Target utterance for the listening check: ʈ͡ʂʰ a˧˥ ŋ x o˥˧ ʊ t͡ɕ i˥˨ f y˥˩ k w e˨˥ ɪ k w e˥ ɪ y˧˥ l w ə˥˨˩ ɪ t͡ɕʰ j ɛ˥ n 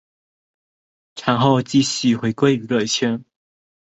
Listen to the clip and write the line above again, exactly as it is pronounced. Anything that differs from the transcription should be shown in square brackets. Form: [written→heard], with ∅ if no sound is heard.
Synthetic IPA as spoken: ʈ͡ʂʰ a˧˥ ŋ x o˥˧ ʊ t͡ɕ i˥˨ [f→ɕ] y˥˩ [k→x] w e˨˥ ɪ k w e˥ ɪ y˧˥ l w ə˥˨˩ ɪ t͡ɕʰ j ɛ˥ n